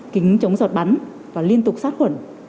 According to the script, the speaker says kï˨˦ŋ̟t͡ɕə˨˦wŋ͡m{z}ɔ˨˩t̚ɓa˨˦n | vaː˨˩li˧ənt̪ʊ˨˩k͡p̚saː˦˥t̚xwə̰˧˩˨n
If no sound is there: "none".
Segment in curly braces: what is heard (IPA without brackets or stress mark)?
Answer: z